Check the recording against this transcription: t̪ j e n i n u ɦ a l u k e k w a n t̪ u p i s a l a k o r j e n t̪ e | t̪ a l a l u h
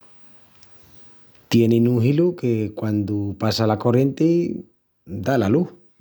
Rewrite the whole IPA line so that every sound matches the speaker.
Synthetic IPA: t̪ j e n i n u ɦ i l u k e k w a n d̪ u p a s a l a k o r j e n t̪ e | d̪ a l a l u h